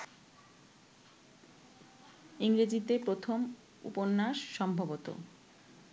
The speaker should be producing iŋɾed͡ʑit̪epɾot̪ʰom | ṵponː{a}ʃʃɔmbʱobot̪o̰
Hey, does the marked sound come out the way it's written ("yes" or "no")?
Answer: yes